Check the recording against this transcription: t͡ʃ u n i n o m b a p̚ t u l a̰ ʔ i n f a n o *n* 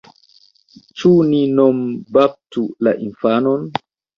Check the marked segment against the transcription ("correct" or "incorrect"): correct